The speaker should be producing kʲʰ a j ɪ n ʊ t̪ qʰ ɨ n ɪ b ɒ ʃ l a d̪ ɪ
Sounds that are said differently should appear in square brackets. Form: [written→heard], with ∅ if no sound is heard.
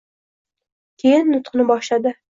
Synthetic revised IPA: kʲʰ [a→e] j ɪ [n→nː] ʊ t̪ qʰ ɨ n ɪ b ɒ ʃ l a d̪ ɪ